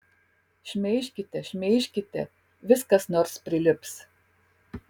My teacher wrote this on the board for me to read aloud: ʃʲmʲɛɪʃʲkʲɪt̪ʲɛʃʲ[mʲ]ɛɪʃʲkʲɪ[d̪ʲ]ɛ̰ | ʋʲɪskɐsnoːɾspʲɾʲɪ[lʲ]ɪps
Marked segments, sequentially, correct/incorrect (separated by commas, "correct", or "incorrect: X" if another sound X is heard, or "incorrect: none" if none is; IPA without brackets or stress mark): correct, incorrect: t̪ʲ, correct